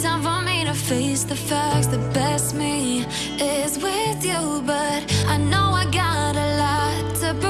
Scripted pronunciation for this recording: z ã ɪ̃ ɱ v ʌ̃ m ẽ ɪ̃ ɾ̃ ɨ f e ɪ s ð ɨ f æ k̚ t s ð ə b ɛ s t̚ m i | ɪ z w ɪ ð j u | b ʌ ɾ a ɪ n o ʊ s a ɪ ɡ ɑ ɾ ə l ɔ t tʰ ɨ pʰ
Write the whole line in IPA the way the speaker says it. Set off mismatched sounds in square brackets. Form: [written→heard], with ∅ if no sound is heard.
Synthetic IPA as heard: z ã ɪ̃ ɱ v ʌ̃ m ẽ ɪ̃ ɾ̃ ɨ f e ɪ s ð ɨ f æ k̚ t s ð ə b ɛ s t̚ m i | ɪ z w ɪ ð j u | b ʌ ɾ a ɪ n o ʊ [s→∅] a ɪ ɡ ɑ ɾ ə l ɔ t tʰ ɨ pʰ

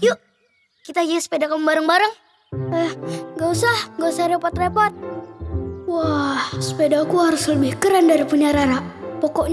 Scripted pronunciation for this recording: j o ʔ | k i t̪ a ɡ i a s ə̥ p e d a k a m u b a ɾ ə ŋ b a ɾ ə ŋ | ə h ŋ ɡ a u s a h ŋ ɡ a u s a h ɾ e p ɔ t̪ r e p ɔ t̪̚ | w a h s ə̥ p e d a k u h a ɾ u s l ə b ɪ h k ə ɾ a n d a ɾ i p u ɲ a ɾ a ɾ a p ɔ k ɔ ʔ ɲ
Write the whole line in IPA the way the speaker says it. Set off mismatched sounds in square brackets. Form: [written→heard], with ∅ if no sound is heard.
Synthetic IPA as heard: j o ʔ | k i t̪ a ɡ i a s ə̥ p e d a k a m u b a ɾ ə ŋ b a ɾ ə ŋ | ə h ŋ ɡ a u s a h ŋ ɡ a u s a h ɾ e p ɔ t̪ r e p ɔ t̪̚ | w a h s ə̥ p e d a k u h a ɾ [u→ʊ] s l ə b ɪ h k ə ɾ a n d a ɾ i p u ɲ a ɾ a ɾ a p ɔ k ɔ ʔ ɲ

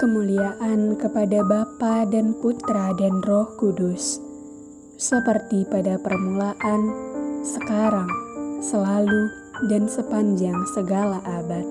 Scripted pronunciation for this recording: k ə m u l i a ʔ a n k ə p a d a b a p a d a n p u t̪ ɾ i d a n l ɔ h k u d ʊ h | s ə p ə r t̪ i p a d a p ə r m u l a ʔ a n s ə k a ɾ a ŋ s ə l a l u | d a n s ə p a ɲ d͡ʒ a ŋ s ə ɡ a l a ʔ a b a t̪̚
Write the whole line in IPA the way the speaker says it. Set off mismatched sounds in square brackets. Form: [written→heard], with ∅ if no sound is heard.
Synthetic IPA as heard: k ə m u l i a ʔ a n k ə p a d a b a p a d a n p u t̪ ɾ [i→a] d a n [l→r] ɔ h k u d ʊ [h→s] | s ə p ə r t̪ i p a d a p ə r m u l a ʔ a n s ə k a ɾ a ŋ s ə l a l u | d a n s ə p a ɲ d͡ʒ a ŋ s ə ɡ a l a ʔ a b a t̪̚

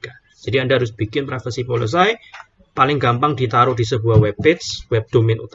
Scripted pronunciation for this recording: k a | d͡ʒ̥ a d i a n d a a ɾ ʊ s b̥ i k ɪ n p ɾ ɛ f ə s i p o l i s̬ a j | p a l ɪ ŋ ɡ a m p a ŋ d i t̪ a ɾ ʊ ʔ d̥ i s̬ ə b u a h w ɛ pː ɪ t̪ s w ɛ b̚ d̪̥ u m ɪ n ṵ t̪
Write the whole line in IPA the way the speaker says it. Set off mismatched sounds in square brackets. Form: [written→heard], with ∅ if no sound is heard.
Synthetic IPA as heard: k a | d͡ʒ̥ a d i a n d a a ɾ ʊ s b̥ i k ɪ n p ɾ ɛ f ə s i p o l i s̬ a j | p a l ɪ ŋ ɡ a m p a ŋ d i t̪ a ɾ ʊ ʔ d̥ i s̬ ə b u a h w ɛ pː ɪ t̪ s w ɛ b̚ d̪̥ [u→o] m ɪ n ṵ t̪

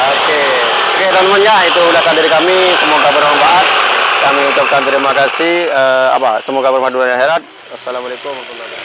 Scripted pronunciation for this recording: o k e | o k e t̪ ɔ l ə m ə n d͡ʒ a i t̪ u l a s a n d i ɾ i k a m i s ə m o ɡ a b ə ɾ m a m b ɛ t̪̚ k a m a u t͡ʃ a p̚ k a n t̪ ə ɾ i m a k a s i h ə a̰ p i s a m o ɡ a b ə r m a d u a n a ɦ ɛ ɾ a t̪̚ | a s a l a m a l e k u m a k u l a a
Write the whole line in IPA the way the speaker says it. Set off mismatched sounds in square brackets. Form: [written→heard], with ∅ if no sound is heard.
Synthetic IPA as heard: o k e | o k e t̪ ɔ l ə m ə n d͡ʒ a i t̪ u l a s a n d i ɾ i k a m i s ə m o ɡ a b ə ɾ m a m b [ɛ→a] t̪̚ k a m [a→i] u t͡ʃ a p̚ k a n t̪ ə ɾ i m a k a s i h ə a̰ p [i→a] s [a→ə] m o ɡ a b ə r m a d u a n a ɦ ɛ ɾ a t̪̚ | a s a l a m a l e k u m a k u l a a

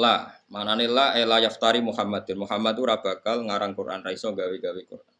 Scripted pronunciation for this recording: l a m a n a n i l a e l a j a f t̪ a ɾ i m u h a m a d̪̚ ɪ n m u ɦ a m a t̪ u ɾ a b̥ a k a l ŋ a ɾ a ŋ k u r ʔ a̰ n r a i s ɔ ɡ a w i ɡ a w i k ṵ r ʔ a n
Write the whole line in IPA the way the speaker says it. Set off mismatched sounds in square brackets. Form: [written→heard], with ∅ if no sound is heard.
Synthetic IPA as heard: l a m a n a n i l a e l a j a f t̪ a ɾ i m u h a m a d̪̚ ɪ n m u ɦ a m a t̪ u ɾ a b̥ a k a l ŋ a ɾ a ŋ k u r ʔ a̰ n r a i s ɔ ɡ a w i ɡ a w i k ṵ r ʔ a n

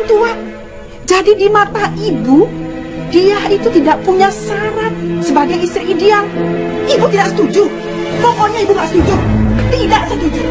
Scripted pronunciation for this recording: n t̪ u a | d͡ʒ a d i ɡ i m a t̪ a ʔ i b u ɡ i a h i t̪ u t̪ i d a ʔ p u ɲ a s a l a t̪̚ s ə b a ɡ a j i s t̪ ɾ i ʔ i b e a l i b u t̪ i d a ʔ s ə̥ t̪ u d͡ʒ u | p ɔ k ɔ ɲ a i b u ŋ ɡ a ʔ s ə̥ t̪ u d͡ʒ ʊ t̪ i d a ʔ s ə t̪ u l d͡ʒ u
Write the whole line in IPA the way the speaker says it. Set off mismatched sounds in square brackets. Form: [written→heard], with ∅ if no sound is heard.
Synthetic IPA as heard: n t̪ u a | d͡ʒ a d i [ɡ→d] i m a t̪ a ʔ i b u [ɡ→d] i a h i t̪ u t̪ i d a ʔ p u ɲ a s a [l→ɾ] a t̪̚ s ə b a ɡ a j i s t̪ ɾ i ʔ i [b→d] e a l i b u t̪ i d a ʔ s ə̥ t̪ u d͡ʒ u | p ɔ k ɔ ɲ a i b u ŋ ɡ a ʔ s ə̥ t̪ u d͡ʒ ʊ t̪ i d a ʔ s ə t̪ u [l→∅] d͡ʒ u

